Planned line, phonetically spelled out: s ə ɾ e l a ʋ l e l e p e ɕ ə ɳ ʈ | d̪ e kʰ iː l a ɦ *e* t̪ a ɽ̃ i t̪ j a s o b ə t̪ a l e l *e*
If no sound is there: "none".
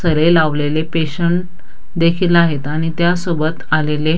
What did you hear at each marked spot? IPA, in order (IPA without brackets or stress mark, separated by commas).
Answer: e, e